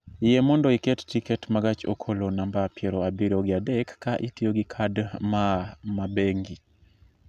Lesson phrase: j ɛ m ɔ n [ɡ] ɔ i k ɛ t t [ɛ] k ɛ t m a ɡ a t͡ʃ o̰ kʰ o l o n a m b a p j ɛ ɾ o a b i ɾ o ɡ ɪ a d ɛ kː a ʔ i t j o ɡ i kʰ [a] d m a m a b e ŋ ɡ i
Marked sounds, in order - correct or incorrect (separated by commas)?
incorrect, incorrect, correct